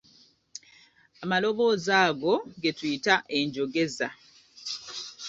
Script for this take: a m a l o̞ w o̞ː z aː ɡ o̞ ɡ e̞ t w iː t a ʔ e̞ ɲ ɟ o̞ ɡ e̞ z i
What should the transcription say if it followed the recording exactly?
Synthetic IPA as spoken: a m a l o̞ β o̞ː z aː ɡ o̞ ɡ e̞ t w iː t a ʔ e̞ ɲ ɟ o̞ ɡ e̞ z a